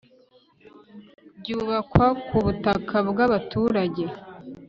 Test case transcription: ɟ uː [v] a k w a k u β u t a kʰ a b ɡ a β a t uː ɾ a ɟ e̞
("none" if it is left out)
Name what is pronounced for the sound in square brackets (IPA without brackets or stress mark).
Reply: β